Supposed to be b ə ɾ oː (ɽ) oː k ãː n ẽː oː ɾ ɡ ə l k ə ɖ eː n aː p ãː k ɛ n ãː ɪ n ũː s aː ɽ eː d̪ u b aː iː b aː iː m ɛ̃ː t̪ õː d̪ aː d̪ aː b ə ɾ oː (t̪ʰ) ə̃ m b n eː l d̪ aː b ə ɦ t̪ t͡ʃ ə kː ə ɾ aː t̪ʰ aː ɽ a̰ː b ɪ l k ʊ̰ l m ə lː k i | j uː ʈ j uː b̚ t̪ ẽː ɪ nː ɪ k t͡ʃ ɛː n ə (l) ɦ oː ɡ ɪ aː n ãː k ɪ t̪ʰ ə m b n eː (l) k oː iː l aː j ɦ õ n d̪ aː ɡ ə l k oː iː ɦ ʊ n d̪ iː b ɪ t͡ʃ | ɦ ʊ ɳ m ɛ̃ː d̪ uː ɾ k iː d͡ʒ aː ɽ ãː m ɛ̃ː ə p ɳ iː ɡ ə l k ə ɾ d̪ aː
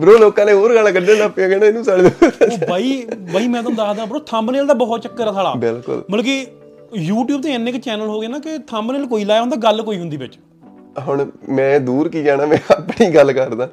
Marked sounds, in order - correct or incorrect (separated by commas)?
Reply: incorrect, correct, correct, correct